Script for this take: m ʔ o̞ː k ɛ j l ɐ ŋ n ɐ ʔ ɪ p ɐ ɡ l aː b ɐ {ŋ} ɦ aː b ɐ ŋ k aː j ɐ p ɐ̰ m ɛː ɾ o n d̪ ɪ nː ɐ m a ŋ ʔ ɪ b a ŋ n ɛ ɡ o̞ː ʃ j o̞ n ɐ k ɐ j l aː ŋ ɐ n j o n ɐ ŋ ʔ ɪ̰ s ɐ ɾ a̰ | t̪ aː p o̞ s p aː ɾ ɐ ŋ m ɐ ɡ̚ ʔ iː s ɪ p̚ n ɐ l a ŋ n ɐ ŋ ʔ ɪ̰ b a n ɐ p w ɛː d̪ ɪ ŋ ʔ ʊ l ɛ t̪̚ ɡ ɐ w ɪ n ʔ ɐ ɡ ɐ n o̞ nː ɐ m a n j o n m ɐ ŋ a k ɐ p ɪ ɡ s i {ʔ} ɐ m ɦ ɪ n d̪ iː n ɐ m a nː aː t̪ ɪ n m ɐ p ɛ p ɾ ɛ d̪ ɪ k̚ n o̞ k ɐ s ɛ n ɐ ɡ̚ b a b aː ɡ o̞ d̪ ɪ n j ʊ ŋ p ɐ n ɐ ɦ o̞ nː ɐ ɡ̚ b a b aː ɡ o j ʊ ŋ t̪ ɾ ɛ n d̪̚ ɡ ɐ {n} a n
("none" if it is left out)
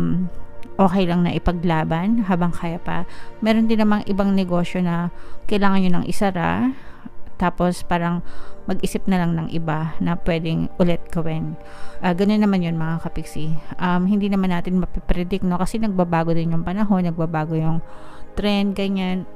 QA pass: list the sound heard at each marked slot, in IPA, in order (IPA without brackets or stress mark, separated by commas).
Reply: n, ʔ, ɲ